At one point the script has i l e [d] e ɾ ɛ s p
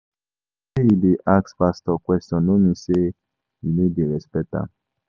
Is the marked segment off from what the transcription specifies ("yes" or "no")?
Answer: no